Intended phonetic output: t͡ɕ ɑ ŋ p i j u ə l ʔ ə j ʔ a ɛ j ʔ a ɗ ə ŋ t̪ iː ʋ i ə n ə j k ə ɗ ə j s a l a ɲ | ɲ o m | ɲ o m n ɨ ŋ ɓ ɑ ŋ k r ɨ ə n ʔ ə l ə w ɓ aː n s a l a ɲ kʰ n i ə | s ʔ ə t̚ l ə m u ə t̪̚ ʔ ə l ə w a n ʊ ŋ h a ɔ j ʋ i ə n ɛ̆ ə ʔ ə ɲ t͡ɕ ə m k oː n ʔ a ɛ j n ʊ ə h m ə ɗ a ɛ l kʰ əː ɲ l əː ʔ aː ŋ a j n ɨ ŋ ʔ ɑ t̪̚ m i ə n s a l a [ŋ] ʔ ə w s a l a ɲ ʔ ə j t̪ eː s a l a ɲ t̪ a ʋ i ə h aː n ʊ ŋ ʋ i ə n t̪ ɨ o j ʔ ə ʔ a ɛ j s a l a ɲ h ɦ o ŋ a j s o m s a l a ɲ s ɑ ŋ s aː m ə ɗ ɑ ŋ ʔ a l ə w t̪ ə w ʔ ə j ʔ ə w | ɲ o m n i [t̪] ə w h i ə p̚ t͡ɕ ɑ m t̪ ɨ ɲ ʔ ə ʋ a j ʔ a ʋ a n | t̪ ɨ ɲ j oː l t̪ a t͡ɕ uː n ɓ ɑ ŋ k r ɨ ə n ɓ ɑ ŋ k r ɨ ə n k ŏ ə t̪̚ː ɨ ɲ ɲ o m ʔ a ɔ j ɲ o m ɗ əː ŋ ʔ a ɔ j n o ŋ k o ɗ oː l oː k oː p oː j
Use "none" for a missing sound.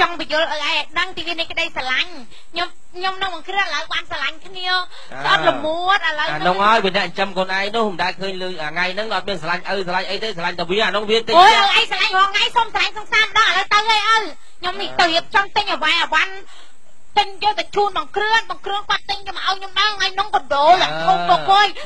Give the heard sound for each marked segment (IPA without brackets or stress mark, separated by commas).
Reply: ɲ, t̪